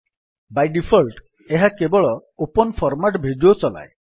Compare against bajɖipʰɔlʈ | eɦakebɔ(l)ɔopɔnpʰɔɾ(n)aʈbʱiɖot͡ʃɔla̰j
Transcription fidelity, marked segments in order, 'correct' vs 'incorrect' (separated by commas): incorrect, incorrect